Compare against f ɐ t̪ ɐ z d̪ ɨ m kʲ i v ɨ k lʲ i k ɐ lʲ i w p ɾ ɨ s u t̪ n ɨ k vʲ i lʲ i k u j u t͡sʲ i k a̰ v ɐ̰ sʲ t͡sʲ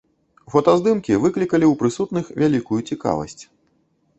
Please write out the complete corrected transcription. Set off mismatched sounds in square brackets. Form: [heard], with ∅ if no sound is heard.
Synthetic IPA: f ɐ t̪ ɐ z d̪ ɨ m kʲ i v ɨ k lʲ i k ɐ lʲ i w p ɾ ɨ s u t̪ n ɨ [x] vʲ [a] lʲ i k u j u t͡sʲ i k a̰ v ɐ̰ sʲ t͡sʲ